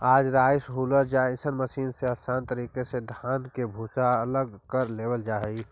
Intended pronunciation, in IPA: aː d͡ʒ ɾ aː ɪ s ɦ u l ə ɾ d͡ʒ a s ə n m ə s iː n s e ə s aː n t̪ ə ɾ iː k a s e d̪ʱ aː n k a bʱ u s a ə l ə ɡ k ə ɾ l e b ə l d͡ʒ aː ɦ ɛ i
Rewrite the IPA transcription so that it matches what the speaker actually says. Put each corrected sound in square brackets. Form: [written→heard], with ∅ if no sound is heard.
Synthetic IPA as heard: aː d͡ʒ ɾ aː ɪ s ɦ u l ə ɾ d͡ʒ a s ə n m ə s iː n s e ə s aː n t̪ ə ɾ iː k [a→e] s e d̪ʱ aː n k [a→e] bʱ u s a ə l ə ɡ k ə ɾ l e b ə l d͡ʒ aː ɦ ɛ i